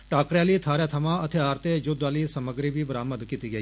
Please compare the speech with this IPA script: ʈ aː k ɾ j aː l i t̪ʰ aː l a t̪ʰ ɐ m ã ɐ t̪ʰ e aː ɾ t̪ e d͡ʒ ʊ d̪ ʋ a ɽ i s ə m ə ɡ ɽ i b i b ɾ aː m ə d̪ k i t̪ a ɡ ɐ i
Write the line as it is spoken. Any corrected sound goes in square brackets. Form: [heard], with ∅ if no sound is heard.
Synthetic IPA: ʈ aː k ɾ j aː l i t̪ʰ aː [ɾ] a t̪ʰ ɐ m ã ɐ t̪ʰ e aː ɾ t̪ e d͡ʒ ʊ d̪ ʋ a [l] i s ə m ə ɡ [ɾ] i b i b ɾ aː m ə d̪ k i t̪ [i] ɡ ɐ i